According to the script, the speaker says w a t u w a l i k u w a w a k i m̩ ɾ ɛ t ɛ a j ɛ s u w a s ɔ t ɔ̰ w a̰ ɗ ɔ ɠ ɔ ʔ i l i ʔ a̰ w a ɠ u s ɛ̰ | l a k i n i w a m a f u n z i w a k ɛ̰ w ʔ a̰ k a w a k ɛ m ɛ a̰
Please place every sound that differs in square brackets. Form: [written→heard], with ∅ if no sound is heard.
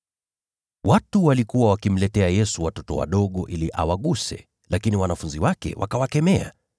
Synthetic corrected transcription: w a t u w a l i k u w a w a k i m̩ [ɾ→l] ɛ t ɛ a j ɛ s u w a [s→t] ɔ t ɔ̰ w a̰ ɗ ɔ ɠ ɔ ʔ i l i ʔ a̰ w a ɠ u s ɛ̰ | l a k i n i w a [m→n] a f u n z i w a k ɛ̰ w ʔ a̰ k a w a k ɛ m ɛ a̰